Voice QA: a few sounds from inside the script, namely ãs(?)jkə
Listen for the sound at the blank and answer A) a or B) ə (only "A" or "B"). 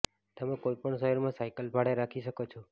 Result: A